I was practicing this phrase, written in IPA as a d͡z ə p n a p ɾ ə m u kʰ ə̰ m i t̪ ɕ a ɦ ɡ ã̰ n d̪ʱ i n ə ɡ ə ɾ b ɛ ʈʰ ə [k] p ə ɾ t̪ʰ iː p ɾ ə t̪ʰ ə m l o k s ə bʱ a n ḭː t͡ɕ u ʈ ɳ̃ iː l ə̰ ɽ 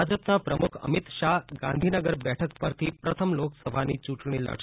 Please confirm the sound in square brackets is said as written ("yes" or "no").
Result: yes